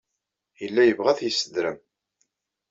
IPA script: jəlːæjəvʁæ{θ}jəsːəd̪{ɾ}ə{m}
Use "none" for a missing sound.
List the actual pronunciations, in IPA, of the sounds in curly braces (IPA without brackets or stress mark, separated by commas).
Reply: θ, ɾ, m